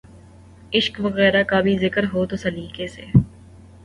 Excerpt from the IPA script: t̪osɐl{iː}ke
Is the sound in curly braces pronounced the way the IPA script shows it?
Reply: yes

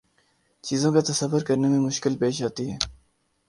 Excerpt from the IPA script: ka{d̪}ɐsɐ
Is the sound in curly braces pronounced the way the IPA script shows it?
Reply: no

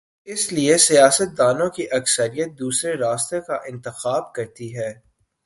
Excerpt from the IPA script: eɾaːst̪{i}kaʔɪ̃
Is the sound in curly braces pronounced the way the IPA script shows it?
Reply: no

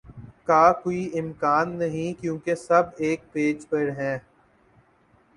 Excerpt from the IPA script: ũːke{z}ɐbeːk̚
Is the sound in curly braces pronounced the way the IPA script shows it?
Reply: no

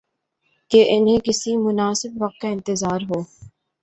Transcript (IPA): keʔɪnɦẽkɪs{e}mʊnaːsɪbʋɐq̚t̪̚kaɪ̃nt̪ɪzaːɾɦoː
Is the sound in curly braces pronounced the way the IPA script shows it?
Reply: no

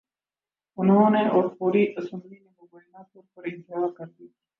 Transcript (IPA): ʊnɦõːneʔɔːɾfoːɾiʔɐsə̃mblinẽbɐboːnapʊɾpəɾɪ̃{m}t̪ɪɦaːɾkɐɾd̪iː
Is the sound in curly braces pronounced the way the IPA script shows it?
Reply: no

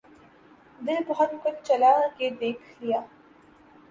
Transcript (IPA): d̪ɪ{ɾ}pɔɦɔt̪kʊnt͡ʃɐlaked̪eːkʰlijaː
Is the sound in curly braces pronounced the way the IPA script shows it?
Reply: no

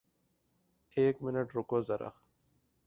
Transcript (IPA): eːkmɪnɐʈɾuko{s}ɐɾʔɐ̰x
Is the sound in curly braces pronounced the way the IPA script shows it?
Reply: no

